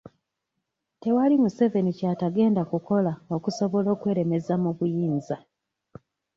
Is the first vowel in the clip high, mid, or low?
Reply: mid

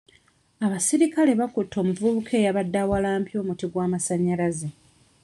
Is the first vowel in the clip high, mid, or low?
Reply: low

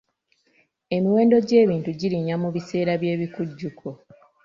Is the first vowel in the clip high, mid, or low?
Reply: mid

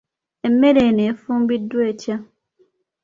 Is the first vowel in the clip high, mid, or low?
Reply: mid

